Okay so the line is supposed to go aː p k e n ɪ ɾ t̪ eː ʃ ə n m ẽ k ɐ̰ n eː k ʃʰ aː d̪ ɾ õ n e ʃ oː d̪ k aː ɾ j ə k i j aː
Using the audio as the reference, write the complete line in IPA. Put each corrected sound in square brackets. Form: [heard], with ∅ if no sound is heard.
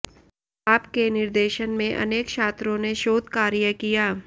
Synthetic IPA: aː p k e n ɪ ɾ [d̪] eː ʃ ə n m ẽ [ʔ] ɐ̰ n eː k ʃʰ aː [t̪] ɾ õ n e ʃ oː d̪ k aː ɾ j ə k i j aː